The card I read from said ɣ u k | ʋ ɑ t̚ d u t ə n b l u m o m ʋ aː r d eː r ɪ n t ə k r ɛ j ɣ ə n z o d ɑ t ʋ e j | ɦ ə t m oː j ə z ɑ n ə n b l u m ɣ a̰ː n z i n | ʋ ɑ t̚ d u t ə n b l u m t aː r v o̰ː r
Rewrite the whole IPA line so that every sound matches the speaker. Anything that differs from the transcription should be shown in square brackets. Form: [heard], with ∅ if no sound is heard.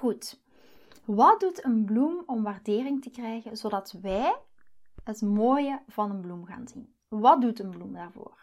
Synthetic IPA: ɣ u [t] | ʋ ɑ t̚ d u t ə n b l u m [ɔ] m ʋ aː r d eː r ɪ [ŋ] t ə k r ɛ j ɣ ə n z o d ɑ t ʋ [ɛ] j | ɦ ə t m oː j ə [v] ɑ n ə n b l u m ɣ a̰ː n z i n | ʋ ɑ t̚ d u t ə n b l u m [d] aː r v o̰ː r